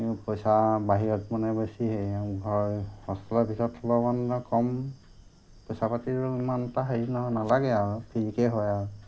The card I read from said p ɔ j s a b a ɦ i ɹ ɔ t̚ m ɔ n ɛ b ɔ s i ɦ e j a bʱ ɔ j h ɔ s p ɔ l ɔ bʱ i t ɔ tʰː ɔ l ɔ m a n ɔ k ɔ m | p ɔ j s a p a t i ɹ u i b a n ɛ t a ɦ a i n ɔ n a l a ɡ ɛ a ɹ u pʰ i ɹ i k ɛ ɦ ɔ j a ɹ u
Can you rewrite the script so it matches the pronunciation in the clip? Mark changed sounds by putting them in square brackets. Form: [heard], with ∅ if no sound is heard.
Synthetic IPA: p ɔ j s a b a ɦ i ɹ ɔ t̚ m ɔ n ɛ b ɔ s i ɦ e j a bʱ ɔ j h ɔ s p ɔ l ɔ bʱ i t ɔ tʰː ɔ l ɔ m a n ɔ k ɔ m | p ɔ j s a p a t i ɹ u i [m] a n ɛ t a ɦ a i n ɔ n a l a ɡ ɛ a ɹ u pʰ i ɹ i k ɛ ɦ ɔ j a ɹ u

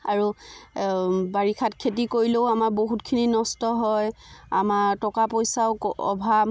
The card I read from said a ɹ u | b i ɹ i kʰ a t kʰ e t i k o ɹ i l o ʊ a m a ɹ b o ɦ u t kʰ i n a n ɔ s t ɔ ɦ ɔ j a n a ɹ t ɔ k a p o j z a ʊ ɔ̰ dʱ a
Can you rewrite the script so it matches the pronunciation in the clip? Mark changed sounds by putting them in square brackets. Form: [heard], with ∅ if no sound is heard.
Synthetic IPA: a ɹ u | b [a] ɹ i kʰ a t kʰ e t i k o ɹ i l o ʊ a m a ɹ b o ɦ u t kʰ i n [i] n ɔ s t ɔ ɦ ɔ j a [m] a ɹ t ɔ k a p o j [s] a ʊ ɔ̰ [bʱ] a

